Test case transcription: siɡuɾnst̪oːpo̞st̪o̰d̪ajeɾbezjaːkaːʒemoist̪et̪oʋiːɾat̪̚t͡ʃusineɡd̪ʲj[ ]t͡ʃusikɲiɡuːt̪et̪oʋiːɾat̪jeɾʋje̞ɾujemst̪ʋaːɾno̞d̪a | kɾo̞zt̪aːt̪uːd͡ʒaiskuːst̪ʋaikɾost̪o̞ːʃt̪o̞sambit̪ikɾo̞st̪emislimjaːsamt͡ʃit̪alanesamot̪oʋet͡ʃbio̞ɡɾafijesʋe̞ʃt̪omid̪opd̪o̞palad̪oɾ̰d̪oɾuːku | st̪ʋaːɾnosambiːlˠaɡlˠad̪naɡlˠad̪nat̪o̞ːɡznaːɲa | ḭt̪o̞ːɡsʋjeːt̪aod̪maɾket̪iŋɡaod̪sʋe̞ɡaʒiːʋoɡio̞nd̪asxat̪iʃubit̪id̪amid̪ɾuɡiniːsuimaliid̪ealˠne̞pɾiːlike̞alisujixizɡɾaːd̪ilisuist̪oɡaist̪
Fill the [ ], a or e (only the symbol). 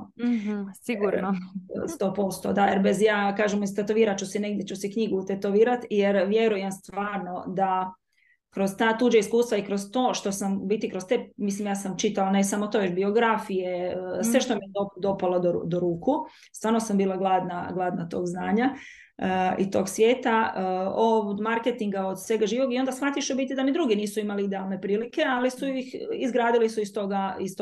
e